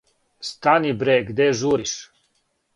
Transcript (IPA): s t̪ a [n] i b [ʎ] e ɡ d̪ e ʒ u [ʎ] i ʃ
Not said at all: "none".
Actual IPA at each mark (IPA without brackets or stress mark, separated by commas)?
n, ɾ, ɾ